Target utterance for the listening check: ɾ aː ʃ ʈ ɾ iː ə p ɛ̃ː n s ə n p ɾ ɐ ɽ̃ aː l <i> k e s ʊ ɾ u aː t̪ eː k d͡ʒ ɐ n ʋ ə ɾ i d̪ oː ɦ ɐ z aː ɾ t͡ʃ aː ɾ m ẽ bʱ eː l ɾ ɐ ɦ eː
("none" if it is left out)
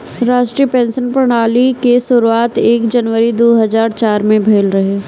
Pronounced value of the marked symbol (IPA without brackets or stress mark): i